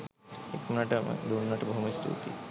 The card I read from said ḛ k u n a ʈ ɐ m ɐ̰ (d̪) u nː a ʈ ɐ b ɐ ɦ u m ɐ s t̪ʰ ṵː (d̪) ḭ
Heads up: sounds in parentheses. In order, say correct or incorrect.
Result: correct, incorrect: t̪

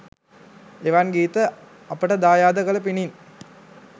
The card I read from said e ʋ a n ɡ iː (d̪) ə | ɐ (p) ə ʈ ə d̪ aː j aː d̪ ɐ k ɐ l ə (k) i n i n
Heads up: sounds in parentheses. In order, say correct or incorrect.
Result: incorrect: t̪, correct, incorrect: p

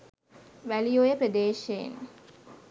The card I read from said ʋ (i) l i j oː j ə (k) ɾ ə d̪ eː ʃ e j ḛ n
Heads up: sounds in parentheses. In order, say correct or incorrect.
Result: incorrect: æ, incorrect: p

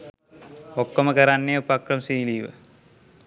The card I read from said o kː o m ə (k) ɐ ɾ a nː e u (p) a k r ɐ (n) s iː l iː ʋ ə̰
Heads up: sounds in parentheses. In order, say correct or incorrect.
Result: correct, correct, incorrect: m

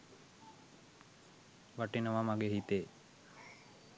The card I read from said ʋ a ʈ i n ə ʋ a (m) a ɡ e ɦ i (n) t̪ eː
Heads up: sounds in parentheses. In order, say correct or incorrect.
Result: correct, incorrect: none

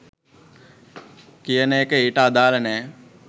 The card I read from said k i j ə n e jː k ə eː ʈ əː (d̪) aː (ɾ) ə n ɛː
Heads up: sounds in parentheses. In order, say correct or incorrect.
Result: correct, incorrect: l

